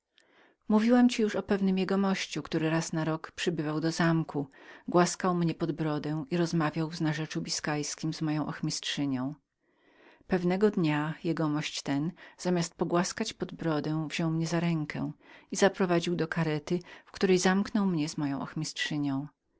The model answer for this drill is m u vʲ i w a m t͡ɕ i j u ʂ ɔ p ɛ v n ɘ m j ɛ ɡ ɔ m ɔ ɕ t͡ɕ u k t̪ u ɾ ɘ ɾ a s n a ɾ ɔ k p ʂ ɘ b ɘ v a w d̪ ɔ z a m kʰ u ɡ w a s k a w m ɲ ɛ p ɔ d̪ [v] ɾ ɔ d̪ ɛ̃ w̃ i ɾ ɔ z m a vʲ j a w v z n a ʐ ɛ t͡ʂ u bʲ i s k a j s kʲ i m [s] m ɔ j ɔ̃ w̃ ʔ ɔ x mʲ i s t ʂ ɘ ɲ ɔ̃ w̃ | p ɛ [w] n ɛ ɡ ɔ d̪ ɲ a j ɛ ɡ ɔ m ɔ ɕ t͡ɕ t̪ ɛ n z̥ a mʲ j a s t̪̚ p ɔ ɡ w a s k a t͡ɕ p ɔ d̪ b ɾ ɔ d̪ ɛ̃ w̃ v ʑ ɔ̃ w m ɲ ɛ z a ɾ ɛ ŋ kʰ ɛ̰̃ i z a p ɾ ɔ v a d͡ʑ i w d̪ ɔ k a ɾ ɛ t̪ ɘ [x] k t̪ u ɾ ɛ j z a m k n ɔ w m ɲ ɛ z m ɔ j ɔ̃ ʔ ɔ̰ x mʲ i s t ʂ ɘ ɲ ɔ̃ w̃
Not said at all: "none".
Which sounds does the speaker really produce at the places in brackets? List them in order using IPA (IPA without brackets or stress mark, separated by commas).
b, z, v, f